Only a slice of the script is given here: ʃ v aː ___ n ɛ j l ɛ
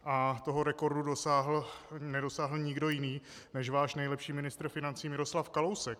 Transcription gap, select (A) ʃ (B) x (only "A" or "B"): A